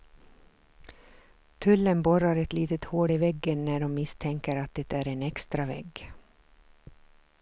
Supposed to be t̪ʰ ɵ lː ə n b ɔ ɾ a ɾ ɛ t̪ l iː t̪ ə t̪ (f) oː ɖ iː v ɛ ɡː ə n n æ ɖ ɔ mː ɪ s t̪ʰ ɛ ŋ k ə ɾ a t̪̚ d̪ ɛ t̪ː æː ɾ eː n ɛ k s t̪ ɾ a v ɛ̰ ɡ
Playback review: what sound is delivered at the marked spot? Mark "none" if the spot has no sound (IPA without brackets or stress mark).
h